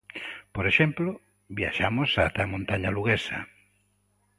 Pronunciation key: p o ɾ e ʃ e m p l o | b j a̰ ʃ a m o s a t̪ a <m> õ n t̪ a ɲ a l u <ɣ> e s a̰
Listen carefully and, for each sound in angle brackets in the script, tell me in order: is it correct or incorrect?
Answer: correct, correct

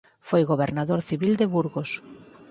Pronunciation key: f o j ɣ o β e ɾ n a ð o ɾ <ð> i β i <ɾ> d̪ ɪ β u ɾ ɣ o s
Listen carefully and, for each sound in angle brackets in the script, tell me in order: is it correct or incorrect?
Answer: incorrect, incorrect

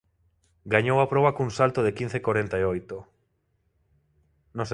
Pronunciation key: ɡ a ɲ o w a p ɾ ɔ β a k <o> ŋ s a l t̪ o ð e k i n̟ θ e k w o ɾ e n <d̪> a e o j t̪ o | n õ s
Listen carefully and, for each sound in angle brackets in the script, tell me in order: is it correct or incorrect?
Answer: incorrect, incorrect

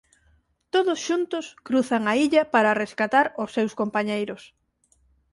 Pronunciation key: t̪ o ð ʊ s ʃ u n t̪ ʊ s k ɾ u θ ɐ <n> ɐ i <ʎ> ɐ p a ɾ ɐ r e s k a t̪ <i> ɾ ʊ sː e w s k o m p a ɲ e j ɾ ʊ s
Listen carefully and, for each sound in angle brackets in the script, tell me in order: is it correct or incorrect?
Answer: incorrect, correct, incorrect

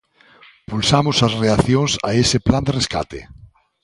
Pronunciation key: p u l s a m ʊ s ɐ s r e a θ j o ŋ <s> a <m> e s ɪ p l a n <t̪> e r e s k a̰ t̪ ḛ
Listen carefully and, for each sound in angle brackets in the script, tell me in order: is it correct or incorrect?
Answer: correct, incorrect, incorrect

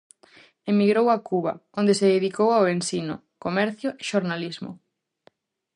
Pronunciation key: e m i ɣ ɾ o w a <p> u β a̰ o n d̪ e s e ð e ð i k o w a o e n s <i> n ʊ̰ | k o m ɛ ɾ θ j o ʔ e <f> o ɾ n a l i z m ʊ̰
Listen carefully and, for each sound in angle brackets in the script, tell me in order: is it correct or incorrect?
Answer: incorrect, correct, incorrect

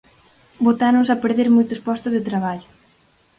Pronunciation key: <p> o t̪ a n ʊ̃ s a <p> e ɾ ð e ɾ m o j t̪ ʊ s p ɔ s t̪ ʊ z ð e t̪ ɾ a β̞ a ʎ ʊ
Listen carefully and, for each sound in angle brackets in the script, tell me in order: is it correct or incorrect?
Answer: incorrect, correct

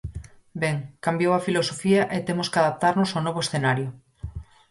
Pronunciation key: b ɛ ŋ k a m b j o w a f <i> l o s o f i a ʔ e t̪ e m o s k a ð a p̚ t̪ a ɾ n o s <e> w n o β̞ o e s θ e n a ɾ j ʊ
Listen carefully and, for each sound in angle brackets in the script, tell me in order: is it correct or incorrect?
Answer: correct, incorrect

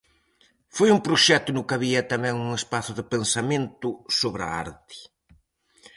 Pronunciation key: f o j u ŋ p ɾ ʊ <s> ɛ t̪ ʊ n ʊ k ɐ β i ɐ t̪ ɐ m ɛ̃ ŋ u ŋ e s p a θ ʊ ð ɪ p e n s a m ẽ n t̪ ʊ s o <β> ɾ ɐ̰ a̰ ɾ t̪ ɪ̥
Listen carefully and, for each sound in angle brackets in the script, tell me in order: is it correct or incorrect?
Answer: incorrect, correct

